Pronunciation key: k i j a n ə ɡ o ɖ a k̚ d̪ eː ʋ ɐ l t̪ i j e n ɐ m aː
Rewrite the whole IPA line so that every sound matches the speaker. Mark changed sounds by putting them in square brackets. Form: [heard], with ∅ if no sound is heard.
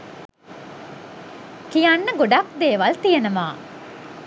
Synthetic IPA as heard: k i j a [nː] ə ɡ o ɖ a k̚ d̪ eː ʋ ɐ l t̪ i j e n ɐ m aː